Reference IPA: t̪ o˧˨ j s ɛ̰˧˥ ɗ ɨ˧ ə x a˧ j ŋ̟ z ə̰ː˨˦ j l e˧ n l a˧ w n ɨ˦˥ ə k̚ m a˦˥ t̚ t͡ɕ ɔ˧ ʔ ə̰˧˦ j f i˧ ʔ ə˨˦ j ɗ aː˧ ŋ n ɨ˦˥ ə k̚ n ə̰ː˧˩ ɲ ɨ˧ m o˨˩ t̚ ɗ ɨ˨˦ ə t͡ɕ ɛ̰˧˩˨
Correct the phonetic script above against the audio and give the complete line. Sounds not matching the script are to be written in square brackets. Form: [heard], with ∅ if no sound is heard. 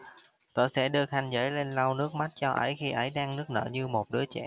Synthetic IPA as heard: t̪ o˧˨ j s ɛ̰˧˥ ɗ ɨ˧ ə x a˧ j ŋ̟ z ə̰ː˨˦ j l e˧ n l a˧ w n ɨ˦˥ ə k̚ m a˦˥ t̚ t͡ɕ ɔ˧ ʔ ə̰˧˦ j [x] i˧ ʔ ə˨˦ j ɗ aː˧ ŋ n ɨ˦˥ ə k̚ n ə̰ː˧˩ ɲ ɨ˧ m o˨˩ t̚ ɗ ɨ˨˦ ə t͡ɕ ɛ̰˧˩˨